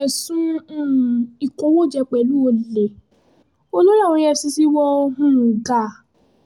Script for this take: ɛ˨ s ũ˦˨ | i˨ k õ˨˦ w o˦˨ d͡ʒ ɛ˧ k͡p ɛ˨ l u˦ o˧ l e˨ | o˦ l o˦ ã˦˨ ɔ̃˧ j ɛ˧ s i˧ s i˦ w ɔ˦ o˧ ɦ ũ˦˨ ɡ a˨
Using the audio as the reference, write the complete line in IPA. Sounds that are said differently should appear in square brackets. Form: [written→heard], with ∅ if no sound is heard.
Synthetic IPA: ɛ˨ s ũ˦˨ | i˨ k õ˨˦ w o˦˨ d͡ʒ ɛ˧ k͡p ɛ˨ l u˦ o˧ l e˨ | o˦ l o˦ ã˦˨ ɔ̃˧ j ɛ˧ s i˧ s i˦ w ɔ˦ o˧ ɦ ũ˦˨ ɡ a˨